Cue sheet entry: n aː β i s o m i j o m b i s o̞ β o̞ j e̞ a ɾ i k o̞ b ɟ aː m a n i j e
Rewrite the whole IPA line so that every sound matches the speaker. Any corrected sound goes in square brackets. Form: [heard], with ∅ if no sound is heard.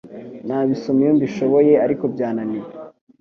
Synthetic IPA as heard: n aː β i s o m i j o m b i [ʃ] o̞ β o̞ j e̞ a ɾ i k o̞ b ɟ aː [n] a n i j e